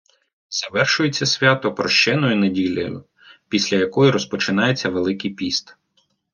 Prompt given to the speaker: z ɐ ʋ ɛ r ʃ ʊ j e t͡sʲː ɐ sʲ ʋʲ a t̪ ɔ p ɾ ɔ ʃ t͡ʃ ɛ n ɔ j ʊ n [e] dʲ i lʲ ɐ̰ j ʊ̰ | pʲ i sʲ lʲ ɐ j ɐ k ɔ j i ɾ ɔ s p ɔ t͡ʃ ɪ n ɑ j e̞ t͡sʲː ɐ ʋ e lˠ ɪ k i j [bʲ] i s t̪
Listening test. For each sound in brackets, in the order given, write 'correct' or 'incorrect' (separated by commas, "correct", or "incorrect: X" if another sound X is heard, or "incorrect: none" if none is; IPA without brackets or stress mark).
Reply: correct, incorrect: pʲ